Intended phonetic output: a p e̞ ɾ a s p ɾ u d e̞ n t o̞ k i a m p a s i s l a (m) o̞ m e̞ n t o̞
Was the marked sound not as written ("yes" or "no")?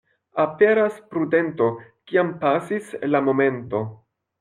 no